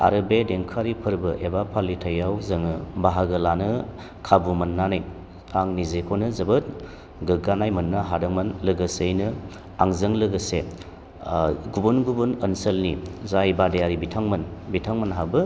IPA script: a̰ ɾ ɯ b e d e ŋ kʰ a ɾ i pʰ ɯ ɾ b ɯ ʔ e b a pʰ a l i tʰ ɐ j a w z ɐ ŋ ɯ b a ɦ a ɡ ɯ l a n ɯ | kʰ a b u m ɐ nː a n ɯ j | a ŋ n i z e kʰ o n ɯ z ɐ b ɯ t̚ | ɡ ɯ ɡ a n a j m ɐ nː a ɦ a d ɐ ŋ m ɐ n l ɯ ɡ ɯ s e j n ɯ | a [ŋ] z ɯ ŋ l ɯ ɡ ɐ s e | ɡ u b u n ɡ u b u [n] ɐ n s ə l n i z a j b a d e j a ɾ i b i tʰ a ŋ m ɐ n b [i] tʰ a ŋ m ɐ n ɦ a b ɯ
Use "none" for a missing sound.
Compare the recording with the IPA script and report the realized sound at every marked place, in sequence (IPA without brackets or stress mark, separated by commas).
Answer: ŋ, n, i